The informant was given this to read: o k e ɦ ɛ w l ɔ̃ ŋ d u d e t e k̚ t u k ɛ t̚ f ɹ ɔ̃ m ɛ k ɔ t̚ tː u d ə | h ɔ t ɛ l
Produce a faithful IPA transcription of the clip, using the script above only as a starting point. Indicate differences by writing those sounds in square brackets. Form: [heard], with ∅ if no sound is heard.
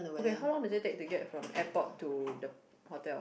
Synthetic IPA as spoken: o k e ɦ [a] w l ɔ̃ ŋ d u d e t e k̚ t u [ɡ] ɛ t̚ f ɹ ɔ̃ m ɛ [p] ɔ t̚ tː u d ə | h ɔ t ɛ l